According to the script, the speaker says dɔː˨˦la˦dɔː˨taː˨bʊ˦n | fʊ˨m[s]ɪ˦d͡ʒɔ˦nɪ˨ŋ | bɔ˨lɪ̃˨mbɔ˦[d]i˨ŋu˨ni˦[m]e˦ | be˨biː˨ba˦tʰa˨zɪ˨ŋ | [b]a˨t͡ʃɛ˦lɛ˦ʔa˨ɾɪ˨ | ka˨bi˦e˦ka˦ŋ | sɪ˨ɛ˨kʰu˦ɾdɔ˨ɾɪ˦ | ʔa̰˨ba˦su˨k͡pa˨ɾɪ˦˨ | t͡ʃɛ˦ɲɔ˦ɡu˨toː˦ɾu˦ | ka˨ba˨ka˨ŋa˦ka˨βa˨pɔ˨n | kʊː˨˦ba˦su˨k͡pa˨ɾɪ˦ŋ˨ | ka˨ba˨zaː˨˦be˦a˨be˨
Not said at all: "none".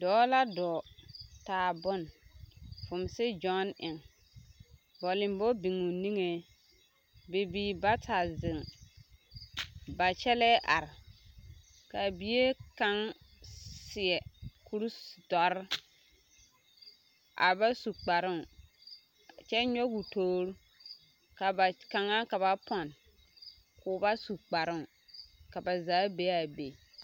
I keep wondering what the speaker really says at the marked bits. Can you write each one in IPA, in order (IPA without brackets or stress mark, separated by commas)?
s, b, ŋ, b